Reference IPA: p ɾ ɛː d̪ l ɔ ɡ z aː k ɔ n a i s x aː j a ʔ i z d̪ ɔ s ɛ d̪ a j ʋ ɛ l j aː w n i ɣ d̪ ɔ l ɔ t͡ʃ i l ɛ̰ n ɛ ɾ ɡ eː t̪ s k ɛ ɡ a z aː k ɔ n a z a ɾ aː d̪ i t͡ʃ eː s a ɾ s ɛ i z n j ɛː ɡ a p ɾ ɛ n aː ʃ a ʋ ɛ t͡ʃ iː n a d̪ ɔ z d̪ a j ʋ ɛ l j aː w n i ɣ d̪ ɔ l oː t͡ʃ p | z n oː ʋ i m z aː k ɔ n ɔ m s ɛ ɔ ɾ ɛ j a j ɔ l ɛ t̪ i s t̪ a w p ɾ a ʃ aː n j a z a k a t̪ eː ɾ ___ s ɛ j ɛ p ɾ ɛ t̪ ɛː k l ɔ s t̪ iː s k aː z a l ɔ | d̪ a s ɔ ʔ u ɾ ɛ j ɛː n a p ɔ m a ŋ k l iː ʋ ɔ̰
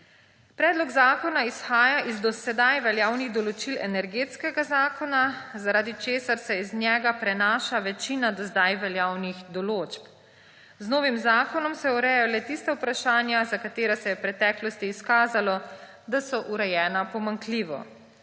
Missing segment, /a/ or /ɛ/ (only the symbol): a